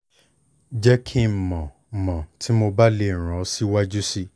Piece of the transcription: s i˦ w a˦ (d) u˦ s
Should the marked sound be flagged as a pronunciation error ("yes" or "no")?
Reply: yes